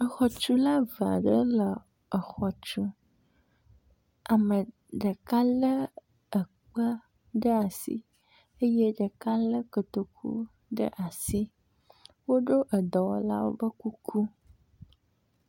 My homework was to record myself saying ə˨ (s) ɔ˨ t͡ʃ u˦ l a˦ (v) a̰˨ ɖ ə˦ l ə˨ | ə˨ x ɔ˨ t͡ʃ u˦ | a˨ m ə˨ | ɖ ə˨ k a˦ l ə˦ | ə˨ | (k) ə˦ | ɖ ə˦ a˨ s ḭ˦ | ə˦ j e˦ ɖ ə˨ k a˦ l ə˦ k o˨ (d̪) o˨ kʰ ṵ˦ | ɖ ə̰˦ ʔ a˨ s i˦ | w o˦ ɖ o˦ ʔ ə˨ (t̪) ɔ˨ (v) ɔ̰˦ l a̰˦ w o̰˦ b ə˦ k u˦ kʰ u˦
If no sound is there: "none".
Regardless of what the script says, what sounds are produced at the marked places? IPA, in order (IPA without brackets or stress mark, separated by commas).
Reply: x, v, k͡p, t̪, d̪, w